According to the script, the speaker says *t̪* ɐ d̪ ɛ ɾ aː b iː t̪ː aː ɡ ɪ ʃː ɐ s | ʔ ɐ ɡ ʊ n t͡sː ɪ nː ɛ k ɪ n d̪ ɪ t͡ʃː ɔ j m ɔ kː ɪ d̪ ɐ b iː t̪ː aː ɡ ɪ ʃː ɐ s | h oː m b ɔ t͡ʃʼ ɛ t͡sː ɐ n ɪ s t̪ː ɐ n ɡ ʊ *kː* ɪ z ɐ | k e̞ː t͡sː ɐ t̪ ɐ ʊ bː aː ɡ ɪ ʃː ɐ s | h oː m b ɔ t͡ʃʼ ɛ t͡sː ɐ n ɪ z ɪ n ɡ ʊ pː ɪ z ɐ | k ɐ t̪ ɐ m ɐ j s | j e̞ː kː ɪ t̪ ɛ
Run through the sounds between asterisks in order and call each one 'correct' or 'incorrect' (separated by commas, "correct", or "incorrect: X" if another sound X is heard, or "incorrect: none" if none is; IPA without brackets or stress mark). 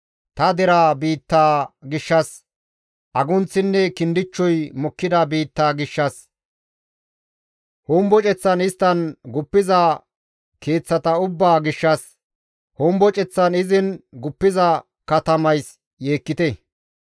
correct, incorrect: pː